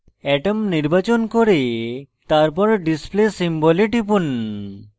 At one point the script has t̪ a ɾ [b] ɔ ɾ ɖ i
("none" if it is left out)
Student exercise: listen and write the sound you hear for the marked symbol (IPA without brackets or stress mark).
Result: p